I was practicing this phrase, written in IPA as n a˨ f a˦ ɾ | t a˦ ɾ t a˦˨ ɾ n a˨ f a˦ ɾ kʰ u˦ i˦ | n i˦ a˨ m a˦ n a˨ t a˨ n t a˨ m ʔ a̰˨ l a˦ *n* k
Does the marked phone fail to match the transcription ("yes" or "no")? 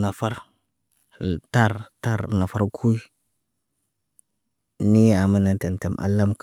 yes